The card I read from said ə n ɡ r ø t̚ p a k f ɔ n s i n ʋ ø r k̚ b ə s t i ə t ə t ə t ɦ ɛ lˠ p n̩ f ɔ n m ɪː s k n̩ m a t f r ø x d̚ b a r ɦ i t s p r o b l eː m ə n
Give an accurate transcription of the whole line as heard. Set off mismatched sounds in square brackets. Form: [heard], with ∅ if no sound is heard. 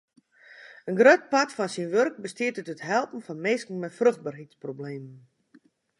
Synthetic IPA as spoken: ə n ɡ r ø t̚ p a [t] f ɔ n s i n ʋ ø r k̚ b ə s t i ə t ə t ə t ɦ ɛ lˠ p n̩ f ɔ n m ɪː s k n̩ m [ɛ] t f r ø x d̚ b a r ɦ i t s p r o b l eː m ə n